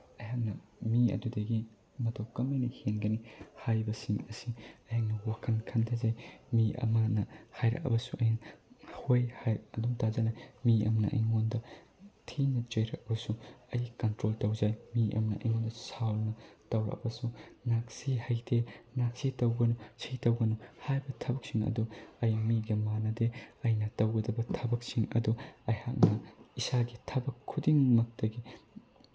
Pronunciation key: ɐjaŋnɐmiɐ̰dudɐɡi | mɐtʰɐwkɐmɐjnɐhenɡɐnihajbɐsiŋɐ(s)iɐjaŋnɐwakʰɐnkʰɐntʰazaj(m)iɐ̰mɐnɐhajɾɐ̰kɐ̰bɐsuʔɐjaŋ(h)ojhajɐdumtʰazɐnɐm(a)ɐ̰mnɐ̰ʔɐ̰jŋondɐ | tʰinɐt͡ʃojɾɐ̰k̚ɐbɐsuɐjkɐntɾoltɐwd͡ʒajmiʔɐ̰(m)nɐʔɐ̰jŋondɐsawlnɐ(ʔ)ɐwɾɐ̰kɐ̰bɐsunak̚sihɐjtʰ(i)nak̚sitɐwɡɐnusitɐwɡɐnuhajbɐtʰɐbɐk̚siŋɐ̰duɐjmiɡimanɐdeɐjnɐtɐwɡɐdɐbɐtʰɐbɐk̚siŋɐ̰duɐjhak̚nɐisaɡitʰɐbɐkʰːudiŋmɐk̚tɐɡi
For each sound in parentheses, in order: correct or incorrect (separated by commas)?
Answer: correct, correct, correct, incorrect, correct, incorrect, incorrect